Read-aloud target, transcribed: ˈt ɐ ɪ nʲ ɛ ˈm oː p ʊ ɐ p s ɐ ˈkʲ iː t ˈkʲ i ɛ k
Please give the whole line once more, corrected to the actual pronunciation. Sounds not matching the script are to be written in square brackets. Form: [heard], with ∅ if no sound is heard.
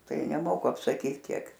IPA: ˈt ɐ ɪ nʲ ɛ ˈm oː [k] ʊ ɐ p s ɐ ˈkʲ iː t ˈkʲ i ɛ k